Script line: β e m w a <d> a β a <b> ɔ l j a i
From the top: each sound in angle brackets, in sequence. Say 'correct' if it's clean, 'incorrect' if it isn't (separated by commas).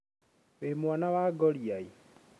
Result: incorrect, incorrect